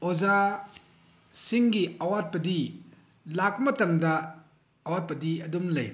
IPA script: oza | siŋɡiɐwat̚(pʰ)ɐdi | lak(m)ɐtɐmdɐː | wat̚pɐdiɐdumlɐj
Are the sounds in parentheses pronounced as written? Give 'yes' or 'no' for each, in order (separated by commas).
no, yes